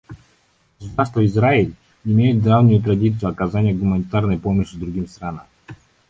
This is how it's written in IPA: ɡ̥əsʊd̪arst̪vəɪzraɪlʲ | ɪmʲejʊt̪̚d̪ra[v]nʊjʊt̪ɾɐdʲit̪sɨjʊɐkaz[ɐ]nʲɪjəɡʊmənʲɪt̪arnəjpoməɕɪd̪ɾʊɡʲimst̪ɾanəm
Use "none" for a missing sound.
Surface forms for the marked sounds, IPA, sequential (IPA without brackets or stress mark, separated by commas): v, a